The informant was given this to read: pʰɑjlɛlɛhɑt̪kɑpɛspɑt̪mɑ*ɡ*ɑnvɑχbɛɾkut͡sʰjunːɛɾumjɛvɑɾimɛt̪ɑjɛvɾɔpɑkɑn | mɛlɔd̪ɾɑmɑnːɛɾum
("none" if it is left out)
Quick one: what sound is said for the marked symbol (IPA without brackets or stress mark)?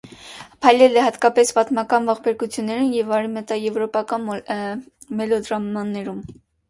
k